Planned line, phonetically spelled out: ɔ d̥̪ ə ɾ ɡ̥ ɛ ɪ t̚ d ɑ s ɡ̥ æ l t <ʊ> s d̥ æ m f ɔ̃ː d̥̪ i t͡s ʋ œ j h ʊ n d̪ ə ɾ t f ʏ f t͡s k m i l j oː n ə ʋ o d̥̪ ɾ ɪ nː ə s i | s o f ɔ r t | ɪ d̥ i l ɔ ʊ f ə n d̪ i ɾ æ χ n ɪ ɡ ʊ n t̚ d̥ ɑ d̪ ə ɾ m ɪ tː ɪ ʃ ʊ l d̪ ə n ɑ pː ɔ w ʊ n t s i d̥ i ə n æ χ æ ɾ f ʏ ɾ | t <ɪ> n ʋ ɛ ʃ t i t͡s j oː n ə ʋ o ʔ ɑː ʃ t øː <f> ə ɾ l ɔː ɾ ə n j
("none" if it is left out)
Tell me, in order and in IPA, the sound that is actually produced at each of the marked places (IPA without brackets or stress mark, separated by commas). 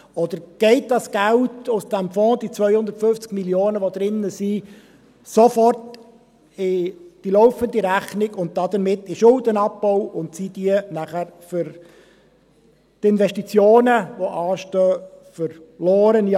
ʊ, ɪ, f